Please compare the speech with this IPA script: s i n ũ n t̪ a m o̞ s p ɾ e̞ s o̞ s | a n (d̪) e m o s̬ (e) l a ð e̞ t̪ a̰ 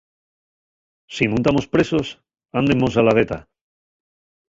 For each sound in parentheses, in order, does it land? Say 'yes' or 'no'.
yes, no

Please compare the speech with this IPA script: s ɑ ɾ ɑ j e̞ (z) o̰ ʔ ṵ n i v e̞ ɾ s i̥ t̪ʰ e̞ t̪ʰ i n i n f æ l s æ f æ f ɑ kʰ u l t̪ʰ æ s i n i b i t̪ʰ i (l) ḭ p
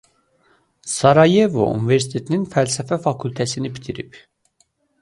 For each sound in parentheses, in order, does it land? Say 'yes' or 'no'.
no, no

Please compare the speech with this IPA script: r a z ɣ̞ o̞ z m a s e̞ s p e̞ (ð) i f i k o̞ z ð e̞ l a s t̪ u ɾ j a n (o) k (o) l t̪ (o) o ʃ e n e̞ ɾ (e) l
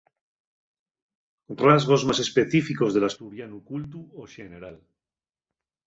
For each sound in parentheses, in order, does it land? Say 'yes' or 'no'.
no, no, no, no, no

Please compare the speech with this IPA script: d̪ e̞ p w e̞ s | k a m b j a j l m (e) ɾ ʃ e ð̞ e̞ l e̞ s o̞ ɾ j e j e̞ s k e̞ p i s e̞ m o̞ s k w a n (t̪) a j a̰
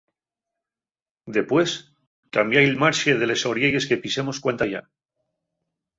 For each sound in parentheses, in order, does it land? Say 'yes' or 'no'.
no, yes

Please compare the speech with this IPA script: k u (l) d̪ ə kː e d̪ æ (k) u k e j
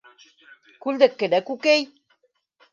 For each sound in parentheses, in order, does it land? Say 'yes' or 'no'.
yes, yes

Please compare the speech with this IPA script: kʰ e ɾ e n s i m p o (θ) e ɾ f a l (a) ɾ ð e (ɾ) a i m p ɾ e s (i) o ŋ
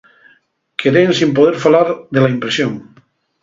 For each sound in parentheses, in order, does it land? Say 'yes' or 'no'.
no, yes, no, no

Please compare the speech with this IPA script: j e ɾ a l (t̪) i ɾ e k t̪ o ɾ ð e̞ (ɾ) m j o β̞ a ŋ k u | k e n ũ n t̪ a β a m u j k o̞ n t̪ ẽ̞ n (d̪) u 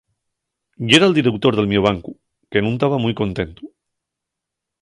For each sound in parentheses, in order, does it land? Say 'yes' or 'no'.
no, no, no

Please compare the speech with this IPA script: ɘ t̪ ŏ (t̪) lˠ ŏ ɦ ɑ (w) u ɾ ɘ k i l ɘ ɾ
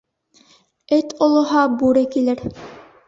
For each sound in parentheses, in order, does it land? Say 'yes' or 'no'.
no, no

